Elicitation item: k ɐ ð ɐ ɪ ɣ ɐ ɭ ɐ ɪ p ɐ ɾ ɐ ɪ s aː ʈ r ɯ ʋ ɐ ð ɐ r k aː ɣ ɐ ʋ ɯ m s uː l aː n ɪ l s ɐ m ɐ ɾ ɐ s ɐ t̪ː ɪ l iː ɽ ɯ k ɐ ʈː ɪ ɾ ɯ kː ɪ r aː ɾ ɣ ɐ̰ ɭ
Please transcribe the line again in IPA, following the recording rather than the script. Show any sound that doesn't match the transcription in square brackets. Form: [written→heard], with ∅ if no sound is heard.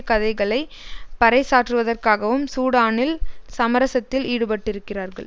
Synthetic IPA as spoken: k ɐ ð ɐ ɪ ɣ ɐ ɭ ɐ ɪ p ɐ ɾ ɐ ɪ s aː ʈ r ɯ ʋ ɐ ð ɐ r k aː ɣ ɐ ʋ ɯ m s uː [l→ɽ] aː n ɪ l s ɐ m ɐ ɾ ɐ s ɐ t̪ː ɪ l iː ɽ ɯ [k→p] ɐ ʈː ɪ ɾ ɯ kː ɪ r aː ɾ ɣ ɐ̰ ɭ